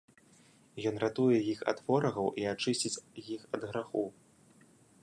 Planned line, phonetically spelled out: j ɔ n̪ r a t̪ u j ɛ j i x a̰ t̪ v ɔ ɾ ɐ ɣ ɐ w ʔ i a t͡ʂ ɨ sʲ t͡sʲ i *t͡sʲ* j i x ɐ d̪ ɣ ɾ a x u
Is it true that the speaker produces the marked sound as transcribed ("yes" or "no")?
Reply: yes